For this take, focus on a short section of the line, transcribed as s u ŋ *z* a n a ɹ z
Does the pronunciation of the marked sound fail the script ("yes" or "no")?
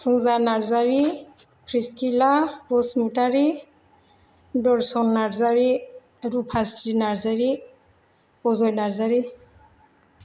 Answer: no